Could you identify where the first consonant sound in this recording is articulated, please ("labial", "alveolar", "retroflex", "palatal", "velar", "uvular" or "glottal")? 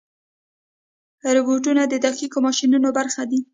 alveolar